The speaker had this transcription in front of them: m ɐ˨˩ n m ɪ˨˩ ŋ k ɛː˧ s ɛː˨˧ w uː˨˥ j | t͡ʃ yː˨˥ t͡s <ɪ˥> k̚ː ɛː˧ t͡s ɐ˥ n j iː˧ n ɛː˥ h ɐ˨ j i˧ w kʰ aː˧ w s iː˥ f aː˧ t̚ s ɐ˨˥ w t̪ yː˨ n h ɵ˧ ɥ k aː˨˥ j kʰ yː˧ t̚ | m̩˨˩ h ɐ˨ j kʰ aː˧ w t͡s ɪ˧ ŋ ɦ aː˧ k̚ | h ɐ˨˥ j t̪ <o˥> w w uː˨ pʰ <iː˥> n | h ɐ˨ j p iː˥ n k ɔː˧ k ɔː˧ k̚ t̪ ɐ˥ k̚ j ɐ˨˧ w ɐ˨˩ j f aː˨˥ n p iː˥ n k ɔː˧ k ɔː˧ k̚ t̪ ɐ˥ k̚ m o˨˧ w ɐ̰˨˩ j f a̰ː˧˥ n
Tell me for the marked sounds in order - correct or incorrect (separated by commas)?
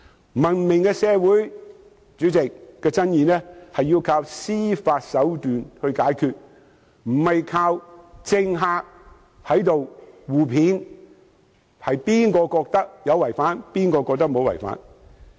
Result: incorrect, incorrect, incorrect